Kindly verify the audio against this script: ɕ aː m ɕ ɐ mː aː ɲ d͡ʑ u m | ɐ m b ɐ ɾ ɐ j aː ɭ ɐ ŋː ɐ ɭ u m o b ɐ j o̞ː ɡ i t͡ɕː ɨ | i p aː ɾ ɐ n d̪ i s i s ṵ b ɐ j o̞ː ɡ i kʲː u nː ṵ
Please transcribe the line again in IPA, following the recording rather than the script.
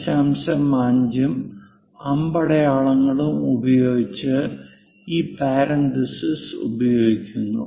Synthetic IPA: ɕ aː m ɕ ɐ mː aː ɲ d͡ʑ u m | ɐ m b ɐ ɽ ɐ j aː ɭ ɐ ŋː ɐ ɭ u m u b ɐ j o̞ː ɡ i t͡ɕː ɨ | iː p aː ɾ ɐ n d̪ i s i s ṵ b ɐ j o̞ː ɡ i kʲː u nː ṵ

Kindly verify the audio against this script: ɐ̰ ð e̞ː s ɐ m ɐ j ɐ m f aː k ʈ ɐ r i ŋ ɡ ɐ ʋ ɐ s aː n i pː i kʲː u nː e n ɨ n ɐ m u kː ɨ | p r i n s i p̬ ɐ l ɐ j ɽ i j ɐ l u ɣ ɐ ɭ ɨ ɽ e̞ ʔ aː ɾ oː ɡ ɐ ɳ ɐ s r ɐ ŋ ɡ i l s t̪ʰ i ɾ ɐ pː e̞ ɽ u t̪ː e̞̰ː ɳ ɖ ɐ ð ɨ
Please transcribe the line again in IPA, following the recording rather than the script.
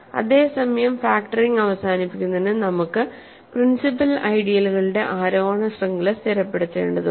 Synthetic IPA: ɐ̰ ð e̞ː s ɐ m ɐ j ɐ m f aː k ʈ ɐ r i ŋ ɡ ɐ ʋ ɐ s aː n i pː i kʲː u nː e n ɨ n ɐ m u kː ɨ | p r i n s i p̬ ɐ l ɐ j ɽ i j ɐ l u ɣ ɐ ɭ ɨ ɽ e̞ ʔ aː ɾ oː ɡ ɐ ɳ ɐ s r ɐ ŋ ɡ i l s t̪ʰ i ɾ ɐ pː e̞ ɽ u t̪ː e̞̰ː ɳ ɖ ɐ ð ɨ

